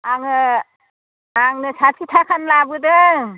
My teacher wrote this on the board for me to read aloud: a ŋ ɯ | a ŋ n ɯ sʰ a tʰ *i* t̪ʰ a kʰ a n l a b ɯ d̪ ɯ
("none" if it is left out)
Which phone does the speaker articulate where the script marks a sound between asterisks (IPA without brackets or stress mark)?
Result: i